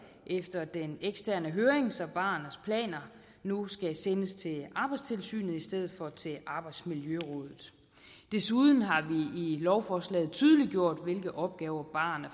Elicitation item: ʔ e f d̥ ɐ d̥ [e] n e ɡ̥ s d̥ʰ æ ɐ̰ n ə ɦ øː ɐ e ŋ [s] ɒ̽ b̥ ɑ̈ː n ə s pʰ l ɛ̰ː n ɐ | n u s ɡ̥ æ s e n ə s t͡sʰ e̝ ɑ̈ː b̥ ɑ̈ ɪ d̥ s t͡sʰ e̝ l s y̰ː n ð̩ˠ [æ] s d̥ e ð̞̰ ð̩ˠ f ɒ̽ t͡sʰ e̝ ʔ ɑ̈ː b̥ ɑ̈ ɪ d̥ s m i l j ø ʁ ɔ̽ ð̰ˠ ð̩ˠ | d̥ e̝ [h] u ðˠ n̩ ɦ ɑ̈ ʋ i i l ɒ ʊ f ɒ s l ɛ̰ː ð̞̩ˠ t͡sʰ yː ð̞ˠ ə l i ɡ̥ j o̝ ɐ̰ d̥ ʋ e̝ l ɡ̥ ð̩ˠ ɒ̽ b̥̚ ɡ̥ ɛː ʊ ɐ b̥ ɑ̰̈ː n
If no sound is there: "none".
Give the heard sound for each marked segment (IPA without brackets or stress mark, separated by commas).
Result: e, s, i, s